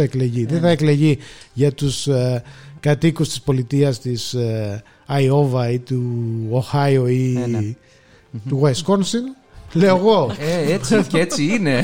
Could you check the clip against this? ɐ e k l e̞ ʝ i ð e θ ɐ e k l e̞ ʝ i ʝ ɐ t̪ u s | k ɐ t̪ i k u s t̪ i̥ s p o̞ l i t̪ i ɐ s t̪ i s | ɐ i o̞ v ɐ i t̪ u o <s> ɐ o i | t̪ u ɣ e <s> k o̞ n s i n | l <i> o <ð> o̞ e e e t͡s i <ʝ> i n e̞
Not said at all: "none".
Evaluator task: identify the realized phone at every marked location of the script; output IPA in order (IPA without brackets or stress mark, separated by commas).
x, s, e, ɣ, none